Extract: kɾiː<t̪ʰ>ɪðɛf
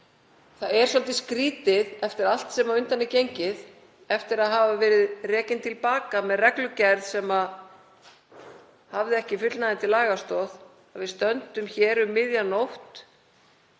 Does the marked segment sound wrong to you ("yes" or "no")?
yes